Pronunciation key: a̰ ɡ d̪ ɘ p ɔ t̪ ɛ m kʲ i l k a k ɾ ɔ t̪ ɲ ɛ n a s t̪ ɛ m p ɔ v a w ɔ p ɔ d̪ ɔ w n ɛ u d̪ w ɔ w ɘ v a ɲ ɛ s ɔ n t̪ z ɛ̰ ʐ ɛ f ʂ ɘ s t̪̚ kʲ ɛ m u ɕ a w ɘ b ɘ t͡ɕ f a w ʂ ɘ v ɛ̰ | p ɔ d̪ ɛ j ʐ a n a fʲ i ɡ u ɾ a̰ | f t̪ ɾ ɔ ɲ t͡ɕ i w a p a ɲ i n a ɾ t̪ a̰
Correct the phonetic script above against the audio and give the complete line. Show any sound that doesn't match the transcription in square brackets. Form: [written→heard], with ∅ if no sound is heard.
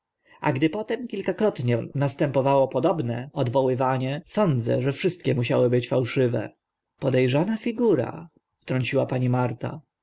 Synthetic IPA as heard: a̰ ɡ d̪ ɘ p ɔ t̪ ɛ m kʲ i l k a k ɾ ɔ t̪ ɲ ɛ n a s t̪ ɛ m p ɔ v a w ɔ p ɔ d̪ ɔ [w→b] n ɛ [u→ɔ] d̪ [w→v] ɔ w ɘ v a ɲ ɛ s ɔ n [t̪→d̪] z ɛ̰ ʐ ɛ f ʂ ɘ s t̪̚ kʲ ɛ m u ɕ a w ɘ b ɘ t͡ɕ f a w ʂ ɘ v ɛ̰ | p ɔ d̪ ɛ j ʐ a n a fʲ i ɡ u ɾ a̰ | f t̪ ɾ ɔ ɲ t͡ɕ i w a p a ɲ i [n→m] a ɾ t̪ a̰